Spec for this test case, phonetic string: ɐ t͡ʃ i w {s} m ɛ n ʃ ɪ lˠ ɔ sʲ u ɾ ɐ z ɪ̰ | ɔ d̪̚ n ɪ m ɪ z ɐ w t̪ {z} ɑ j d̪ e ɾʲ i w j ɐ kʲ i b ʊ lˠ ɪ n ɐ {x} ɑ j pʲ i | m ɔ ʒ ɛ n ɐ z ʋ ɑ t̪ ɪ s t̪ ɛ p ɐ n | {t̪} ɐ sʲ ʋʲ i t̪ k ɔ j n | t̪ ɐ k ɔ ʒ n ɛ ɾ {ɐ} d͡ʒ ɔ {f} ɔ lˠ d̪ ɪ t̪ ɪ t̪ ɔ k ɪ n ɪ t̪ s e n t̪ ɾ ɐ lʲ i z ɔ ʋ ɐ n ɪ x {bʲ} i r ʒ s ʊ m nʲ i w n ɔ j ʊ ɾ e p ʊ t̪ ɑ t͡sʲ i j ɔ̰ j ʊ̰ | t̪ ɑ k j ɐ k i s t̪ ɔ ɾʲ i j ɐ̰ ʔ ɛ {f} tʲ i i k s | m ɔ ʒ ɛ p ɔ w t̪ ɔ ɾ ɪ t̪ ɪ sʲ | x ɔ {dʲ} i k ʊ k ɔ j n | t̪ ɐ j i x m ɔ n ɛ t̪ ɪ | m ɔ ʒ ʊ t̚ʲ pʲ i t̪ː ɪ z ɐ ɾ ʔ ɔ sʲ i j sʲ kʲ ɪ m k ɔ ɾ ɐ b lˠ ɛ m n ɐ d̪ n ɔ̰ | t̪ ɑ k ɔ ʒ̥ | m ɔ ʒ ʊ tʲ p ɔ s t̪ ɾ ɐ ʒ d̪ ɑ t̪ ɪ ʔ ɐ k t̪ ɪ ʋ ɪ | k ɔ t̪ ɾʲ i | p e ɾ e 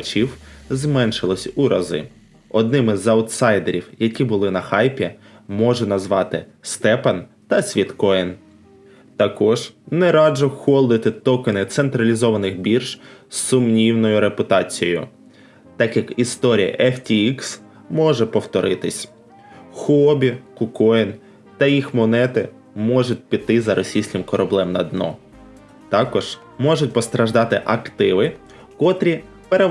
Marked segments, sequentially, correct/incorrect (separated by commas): incorrect, incorrect, correct, correct, incorrect, incorrect, correct, correct, incorrect